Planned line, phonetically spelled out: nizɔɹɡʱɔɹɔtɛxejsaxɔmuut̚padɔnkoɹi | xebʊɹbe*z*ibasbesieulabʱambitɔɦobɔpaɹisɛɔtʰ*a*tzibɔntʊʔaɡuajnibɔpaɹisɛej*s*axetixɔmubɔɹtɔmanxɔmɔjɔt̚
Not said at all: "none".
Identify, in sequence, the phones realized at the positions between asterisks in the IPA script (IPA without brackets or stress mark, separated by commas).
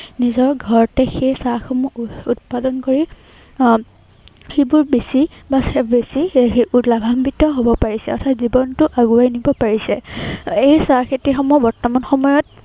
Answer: s, a, s